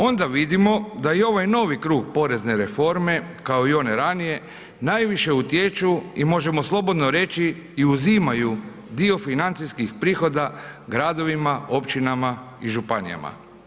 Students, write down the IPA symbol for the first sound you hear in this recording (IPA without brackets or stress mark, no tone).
o̞